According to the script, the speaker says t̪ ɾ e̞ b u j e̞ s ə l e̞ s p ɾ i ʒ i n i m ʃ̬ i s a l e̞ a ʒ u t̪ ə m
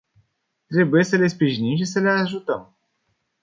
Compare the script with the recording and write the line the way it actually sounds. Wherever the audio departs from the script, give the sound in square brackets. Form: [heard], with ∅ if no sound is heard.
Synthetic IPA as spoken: t̪ ɾ e̞ b u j e̞ s ə l e̞ s p ɾ i ʒ i n i m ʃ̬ i s [ə] l e̞ a ʒ u t̪ ə m

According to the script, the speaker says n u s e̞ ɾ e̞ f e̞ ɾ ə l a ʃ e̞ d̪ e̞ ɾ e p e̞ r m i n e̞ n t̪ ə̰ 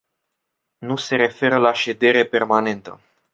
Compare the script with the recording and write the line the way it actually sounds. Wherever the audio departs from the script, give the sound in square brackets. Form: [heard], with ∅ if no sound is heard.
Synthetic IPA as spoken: n u s e̞ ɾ e̞ f e̞ ɾ ə l a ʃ e̞ d̪ e̞ ɾ e p e̞ r m [a] n e̞ n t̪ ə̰

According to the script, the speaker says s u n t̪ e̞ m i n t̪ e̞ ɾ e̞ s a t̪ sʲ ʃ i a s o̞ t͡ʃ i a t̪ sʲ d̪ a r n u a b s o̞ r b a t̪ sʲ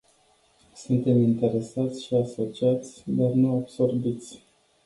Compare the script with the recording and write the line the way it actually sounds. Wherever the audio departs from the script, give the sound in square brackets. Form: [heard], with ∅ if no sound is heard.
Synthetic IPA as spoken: s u n t̪ e̞ m i n t̪ e̞ ɾ e̞ s a t̪ sʲ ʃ i a s o̞ t͡ʃ i a t̪ sʲ d̪ a r n u a b s o̞ r b [i] t̪ sʲ

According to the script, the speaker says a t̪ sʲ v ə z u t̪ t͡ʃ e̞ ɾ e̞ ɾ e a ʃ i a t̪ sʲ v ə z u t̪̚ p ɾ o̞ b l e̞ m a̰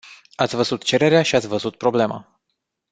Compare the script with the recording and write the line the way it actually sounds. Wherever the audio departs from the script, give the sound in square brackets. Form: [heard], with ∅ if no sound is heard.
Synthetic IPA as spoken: a t̪ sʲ v ə z u t̪ t͡ʃ e̞ ɾ e̞ ɾ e a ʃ i a t̪ sʲ v ə z u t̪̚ p ɾ o̞ b l e̞ m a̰

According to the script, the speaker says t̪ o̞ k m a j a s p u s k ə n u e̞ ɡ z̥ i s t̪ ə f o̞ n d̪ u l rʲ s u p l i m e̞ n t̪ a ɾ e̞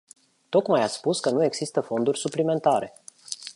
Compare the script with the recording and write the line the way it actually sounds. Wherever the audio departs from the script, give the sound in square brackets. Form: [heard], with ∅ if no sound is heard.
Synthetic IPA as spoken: t̪ o̞ k m a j a s p u s k ə n u e̞ ɡ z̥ i s t̪ ə f o̞ n d̪ u [∅] rʲ s u p l i m e̞ n t̪ a ɾ e̞

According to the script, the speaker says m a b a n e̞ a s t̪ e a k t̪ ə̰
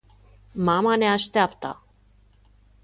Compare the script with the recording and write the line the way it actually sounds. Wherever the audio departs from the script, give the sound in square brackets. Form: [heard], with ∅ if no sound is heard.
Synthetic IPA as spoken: m a [m] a n e̞ a [ʃ] t̪ e a [p] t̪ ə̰

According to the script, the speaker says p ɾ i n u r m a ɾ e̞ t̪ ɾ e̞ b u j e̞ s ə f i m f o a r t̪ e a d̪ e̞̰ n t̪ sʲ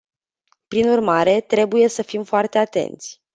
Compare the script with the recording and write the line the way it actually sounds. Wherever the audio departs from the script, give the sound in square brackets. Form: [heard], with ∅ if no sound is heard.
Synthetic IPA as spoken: p ɾ i n u r m a ɾ e̞ t̪ ɾ e̞ b u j e̞ s ə f i m f o a r t̪ e a [t̪] e̞̰ n t̪ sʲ

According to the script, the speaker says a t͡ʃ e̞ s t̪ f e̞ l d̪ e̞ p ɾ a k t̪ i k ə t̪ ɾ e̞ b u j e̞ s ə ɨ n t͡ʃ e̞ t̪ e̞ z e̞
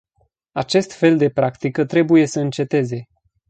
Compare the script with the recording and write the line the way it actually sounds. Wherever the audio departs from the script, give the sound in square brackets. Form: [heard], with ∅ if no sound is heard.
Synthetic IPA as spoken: a t͡ʃ e̞ s t̪ f e̞ l d̪ e̞ p ɾ a k t̪ i k ə t̪ ɾ e̞ b u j e̞ s ə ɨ n t͡ʃ e̞ t̪ e̞ z e̞

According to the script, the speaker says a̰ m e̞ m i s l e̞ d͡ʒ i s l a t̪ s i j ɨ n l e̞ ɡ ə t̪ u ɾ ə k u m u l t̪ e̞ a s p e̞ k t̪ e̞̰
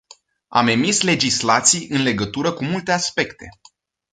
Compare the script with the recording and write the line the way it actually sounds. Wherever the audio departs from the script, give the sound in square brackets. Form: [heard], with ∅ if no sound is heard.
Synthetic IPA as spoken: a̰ m e̞ m i s l e̞ d͡ʒ i s l a t̪ s i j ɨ n l e̞ ɡ ə t̪ u ɾ ə k u m u l t̪ e̞ a s p e̞ k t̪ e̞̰

